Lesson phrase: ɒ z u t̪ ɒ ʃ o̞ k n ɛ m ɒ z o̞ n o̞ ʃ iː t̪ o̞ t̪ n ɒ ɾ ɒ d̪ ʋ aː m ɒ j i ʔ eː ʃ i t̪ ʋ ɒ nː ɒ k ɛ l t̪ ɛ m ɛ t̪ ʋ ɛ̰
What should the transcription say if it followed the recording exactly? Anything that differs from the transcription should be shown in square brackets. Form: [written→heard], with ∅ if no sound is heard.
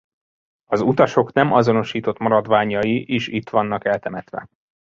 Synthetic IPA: ɒ z u t̪ ɒ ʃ o̞ k n ɛ m ɒ z o̞ n o̞ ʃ iː t̪ o̞ t̪ [n→m] ɒ ɾ ɒ d̪ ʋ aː [m→ɲ] ɒ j i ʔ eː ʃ i t̪ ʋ ɒ nː ɒ k ɛ l t̪ ɛ m ɛ t̪ ʋ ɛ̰